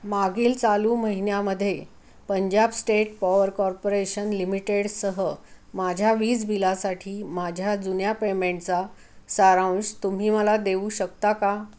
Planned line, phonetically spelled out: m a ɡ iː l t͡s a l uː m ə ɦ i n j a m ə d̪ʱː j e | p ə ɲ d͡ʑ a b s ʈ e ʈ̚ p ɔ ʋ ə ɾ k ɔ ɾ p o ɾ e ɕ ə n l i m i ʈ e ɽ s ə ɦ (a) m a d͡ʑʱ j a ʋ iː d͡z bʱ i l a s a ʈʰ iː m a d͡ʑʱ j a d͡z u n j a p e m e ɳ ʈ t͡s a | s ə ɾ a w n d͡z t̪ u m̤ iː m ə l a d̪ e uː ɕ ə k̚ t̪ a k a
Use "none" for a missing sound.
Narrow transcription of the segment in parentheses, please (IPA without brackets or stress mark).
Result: ə